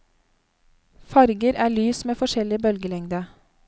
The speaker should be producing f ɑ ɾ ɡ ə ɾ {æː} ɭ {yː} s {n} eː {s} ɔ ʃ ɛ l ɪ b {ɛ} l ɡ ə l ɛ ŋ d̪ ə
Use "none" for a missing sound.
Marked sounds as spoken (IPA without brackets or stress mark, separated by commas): æː, yː, m, f, œ